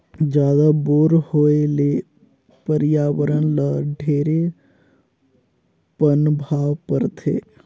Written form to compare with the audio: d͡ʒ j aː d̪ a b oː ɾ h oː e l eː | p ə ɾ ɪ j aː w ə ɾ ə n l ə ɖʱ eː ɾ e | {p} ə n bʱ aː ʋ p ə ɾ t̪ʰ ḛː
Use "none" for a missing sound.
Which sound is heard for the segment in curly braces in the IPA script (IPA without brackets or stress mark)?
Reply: p